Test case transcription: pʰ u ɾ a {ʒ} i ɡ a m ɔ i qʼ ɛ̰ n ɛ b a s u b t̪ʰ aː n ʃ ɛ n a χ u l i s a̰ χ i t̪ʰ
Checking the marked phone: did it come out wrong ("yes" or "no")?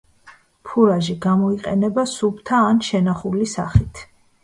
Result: no